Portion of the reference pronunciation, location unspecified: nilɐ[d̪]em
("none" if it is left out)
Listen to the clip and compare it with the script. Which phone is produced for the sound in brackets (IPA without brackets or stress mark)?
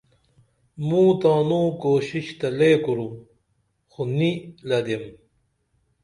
d̪